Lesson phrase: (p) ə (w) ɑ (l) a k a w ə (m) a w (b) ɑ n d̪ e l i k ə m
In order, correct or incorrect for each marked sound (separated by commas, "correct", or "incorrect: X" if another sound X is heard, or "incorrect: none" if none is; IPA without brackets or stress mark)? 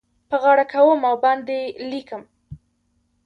correct, incorrect: ɣ, incorrect: ɽ, correct, correct